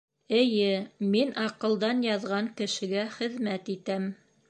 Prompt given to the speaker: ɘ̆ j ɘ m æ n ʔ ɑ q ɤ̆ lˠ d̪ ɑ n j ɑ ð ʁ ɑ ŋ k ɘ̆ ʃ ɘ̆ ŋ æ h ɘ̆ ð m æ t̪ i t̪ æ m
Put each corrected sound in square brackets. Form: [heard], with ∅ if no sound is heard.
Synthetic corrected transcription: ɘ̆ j ɘ m [i] n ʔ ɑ q ɤ̆ lˠ d̪ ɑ n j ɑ ð ʁ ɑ ŋ k ɘ̆ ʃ ɘ̆ [ɡ] æ [χ] ɘ̆ ð m æ t̪ i t̪ æ m